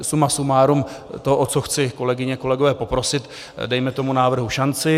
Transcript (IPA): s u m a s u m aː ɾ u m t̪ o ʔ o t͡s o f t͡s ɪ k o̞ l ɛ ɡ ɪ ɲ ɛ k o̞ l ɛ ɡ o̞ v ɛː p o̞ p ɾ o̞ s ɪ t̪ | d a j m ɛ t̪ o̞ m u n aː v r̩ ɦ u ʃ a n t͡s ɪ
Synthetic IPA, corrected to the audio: s u m a s u m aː ɾ u m t̪ o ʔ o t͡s o x t͡s ɪ k o̞ l ɛ ɡ ɪ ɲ ɛ k o̞ l ɛ ɡ o̞ v ɛː p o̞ p ɾ o̞ s ɪ t̪ | d ɛ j m ɛ t̪ o̞ m u n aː v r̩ ɦ u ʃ a n t͡s ɪ